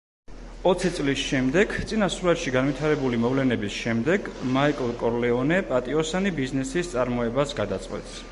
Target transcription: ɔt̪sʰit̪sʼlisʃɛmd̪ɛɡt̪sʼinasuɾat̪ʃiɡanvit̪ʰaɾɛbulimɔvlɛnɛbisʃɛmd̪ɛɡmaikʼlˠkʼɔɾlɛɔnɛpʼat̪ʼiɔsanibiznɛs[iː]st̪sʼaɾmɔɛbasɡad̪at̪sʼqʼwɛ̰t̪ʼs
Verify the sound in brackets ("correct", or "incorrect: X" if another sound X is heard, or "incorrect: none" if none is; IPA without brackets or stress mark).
incorrect: i